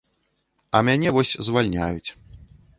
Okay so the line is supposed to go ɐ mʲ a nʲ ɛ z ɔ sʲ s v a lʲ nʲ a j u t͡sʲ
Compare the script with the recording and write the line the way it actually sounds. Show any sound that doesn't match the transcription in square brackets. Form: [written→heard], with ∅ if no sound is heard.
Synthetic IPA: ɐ mʲ a nʲ ɛ [z→v] ɔ sʲ [s→z] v a lʲ nʲ a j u t͡sʲ